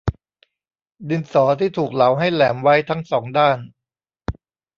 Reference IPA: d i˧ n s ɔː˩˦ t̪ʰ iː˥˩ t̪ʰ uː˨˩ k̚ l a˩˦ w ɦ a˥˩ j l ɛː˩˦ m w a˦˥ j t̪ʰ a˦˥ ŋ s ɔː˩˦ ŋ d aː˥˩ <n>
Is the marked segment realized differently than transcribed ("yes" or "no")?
no